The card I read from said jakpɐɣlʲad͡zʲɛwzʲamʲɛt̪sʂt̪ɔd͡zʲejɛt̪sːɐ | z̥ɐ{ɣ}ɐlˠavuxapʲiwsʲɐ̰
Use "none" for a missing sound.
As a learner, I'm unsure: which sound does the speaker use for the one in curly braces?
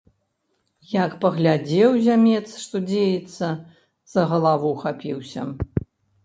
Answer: ɣ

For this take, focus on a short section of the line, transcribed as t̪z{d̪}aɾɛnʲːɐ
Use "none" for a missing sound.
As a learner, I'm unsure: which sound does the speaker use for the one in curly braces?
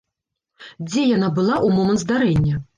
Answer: d̪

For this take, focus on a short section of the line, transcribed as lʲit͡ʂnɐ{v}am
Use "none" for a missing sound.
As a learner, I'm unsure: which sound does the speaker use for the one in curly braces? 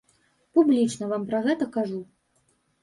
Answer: v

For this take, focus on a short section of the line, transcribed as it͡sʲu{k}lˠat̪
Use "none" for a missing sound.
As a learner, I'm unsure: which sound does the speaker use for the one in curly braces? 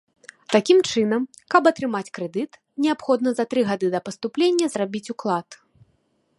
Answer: k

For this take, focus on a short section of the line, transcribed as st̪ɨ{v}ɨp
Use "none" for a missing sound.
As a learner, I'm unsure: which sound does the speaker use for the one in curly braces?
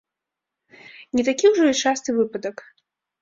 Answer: v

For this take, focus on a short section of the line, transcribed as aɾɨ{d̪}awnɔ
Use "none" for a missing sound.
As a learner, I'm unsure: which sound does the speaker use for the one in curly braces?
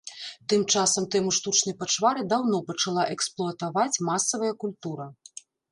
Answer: d̪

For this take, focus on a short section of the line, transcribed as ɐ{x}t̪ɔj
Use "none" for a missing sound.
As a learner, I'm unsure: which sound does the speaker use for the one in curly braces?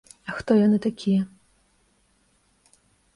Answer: x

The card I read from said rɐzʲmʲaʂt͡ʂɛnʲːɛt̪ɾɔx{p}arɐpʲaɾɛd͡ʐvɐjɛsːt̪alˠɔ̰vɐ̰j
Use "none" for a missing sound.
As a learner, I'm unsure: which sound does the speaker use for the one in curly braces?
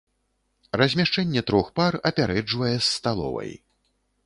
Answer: p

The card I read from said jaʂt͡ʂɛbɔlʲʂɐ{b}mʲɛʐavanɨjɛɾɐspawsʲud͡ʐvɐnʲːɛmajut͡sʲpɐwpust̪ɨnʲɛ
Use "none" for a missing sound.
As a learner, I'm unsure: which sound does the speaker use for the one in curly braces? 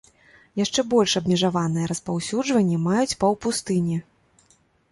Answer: b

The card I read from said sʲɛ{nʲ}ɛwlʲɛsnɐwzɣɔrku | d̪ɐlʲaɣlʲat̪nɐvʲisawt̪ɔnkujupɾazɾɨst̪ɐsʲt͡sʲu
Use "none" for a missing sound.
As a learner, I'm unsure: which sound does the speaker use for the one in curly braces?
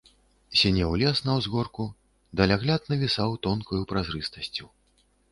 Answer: nʲ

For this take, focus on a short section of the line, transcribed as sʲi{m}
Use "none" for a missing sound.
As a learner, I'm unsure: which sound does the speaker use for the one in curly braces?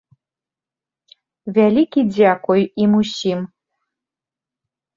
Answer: m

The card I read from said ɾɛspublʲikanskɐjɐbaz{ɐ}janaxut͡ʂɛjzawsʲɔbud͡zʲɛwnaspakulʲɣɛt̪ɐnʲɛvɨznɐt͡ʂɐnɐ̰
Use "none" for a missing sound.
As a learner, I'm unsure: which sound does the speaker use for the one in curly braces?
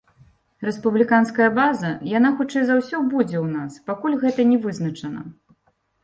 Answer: ɐ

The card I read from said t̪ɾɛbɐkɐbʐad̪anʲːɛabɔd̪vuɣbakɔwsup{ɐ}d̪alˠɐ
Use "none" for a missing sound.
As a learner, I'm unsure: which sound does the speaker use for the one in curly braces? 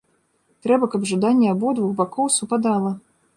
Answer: a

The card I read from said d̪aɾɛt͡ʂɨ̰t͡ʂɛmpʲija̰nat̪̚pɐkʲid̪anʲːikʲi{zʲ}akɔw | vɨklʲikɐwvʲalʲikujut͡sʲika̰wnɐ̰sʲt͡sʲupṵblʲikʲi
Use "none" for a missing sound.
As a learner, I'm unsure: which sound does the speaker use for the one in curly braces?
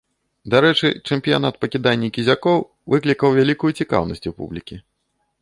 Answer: zʲ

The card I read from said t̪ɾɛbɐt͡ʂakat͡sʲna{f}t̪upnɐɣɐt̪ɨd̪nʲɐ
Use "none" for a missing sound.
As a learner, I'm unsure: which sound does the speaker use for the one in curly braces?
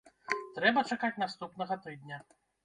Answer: s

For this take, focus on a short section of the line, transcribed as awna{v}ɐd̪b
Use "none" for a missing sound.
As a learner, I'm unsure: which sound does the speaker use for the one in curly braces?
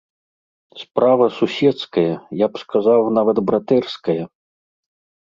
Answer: v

